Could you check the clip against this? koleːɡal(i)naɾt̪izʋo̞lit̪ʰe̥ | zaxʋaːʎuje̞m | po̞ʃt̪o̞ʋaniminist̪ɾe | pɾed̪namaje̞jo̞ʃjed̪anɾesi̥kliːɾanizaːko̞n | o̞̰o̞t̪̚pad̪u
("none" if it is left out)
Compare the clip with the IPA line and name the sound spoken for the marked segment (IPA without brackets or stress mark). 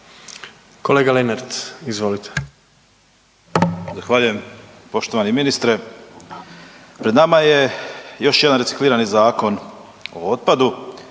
e